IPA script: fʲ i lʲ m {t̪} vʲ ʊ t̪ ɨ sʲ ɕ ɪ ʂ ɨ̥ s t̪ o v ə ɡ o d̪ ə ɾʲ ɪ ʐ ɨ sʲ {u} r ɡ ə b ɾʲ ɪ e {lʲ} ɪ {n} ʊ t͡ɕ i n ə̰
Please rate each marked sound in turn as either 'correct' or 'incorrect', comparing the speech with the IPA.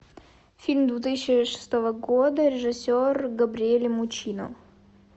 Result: incorrect: d̪, incorrect: o, correct, incorrect: m

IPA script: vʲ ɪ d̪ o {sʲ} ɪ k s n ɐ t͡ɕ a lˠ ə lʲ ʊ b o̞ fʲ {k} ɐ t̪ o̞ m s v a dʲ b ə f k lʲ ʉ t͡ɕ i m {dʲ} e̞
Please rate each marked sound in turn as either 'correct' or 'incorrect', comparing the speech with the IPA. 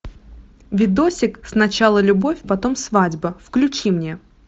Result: correct, incorrect: p, incorrect: nʲ

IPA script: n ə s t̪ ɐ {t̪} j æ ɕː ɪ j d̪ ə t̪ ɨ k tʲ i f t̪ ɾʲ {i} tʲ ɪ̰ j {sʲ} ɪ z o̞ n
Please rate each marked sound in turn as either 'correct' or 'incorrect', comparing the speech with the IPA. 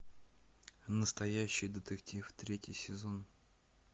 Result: incorrect: none, incorrect: e, correct

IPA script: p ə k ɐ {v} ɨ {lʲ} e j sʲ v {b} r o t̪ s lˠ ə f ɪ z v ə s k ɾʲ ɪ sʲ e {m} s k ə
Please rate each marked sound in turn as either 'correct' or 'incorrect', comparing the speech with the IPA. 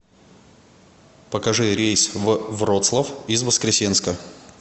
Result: incorrect: ʐ, incorrect: ɾʲ, incorrect: v, incorrect: n

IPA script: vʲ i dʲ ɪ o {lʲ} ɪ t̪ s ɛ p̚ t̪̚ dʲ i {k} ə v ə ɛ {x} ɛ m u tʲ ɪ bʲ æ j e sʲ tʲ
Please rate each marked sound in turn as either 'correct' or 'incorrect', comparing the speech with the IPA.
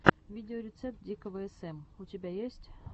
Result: incorrect: ɾʲ, correct, incorrect: s

